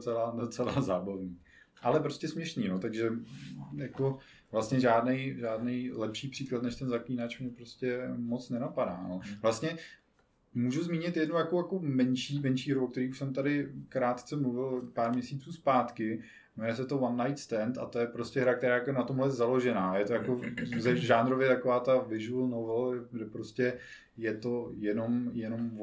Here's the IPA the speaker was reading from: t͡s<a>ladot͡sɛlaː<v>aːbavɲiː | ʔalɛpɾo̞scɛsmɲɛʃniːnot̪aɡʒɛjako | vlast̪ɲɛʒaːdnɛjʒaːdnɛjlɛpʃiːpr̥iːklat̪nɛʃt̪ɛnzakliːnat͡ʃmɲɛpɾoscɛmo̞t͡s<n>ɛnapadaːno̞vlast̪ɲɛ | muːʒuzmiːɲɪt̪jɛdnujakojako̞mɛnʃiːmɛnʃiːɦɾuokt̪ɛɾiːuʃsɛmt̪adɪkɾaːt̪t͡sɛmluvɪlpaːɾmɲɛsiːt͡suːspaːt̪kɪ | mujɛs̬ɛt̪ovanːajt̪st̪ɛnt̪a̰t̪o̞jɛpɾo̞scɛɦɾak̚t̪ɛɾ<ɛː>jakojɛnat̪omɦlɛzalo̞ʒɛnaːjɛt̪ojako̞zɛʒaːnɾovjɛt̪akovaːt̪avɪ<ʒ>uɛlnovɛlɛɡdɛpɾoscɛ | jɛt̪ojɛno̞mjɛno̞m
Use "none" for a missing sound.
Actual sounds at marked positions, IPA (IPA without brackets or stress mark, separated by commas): ɛ, z, n, aː, ʒ